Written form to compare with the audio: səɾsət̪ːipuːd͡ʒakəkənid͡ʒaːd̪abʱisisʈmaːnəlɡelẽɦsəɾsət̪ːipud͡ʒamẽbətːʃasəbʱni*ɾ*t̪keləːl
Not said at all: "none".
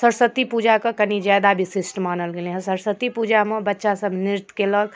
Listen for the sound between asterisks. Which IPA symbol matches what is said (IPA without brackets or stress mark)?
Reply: ɾ